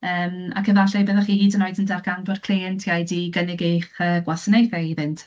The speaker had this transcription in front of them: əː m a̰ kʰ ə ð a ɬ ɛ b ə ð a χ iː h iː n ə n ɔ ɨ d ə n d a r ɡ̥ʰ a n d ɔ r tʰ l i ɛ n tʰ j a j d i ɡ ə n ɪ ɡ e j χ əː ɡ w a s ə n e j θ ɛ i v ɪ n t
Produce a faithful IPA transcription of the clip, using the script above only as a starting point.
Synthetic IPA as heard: əː m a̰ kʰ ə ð a ɬ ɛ b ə ð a χ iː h iː d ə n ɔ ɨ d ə n d a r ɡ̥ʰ a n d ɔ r kʰ l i ɛ n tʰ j a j d i ɡ ə n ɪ ɡ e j χ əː ɡ w a s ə n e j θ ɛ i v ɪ n t